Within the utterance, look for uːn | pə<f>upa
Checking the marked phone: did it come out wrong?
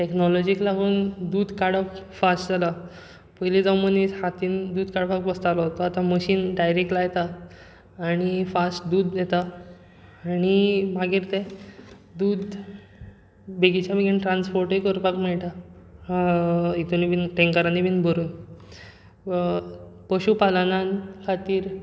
yes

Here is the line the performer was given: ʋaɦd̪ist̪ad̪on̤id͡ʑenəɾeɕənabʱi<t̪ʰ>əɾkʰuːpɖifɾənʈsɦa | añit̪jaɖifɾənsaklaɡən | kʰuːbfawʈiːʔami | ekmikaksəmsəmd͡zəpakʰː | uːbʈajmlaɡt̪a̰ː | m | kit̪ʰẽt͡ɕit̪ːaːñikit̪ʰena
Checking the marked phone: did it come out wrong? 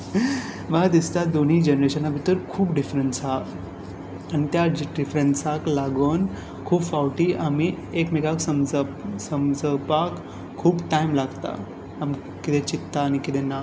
yes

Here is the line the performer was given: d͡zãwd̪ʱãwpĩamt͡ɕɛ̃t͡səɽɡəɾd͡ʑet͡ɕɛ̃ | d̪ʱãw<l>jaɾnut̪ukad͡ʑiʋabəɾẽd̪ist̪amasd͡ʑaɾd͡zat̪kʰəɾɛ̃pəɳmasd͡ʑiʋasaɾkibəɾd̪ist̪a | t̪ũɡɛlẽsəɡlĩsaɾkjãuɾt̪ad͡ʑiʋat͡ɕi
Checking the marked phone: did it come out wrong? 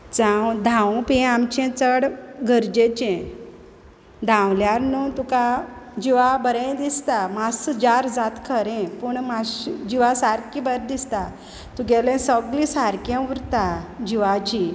no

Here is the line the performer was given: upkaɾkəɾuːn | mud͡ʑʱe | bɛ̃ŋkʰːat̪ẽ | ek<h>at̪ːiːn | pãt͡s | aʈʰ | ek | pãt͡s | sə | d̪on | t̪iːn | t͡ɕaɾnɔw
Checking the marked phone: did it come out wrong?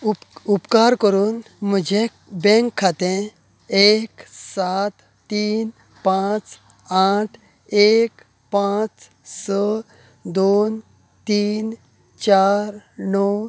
yes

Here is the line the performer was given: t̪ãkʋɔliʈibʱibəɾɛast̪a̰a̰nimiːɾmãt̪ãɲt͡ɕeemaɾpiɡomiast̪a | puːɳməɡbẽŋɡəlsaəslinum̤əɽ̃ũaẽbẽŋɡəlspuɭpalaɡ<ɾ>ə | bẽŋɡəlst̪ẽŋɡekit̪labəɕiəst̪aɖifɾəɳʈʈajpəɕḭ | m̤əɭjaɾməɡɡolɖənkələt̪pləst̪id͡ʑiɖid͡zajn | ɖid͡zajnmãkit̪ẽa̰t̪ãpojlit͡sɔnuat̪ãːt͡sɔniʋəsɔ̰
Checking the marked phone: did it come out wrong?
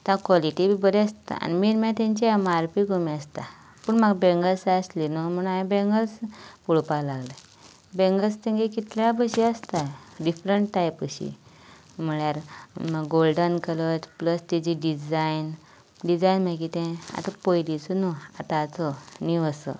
yes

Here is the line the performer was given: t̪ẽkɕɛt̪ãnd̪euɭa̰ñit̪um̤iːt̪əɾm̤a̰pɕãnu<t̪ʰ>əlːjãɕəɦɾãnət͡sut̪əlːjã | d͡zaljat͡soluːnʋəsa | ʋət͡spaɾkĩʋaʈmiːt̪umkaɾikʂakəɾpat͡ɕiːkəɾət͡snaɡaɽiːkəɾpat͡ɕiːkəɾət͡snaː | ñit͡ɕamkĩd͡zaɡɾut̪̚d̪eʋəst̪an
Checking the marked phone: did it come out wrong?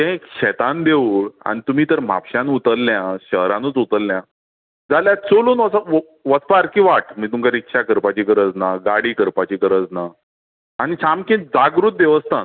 yes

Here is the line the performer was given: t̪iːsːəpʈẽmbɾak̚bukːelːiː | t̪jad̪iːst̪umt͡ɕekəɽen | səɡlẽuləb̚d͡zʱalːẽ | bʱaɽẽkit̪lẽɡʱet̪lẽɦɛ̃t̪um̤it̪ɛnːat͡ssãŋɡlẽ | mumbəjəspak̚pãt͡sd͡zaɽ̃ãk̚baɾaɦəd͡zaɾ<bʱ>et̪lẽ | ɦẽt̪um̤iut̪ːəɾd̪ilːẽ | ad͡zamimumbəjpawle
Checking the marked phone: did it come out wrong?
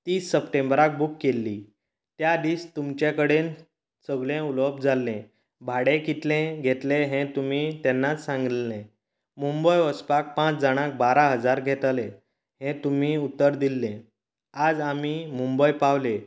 yes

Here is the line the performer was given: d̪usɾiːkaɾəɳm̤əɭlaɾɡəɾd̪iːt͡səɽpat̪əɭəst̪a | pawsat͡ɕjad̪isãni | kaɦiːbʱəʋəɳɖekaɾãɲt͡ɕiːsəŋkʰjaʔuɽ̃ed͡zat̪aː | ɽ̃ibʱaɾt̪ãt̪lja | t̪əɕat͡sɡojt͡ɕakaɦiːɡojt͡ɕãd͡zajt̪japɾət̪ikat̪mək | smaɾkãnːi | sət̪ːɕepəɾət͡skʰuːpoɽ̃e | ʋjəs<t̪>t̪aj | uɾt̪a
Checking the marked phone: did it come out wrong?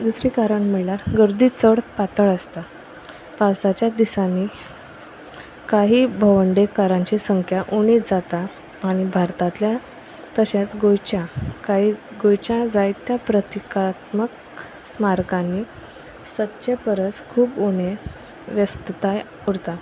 no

